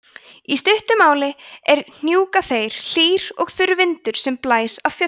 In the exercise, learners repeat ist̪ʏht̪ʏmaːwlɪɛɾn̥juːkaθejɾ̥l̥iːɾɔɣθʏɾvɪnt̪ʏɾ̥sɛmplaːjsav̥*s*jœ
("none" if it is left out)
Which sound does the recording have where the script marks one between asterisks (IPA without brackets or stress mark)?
f